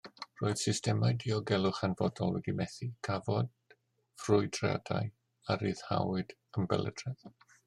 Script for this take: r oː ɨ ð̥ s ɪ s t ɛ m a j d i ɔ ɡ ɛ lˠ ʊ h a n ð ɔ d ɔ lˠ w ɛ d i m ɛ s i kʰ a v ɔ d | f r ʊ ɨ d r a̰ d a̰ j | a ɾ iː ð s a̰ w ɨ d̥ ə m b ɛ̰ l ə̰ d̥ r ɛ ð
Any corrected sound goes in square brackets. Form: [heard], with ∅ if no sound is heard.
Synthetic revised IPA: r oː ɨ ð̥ s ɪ s t ɛ m a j d i ɔ ɡ ɛ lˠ ʊ [χ] a n [v] ɔ d ɔ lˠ w ɛ d i m ɛ [θ] i kʰ a v ɔ d | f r ʊ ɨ d r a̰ d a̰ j | a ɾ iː ð [h] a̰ w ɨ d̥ ə m b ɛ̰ l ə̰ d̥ r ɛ ð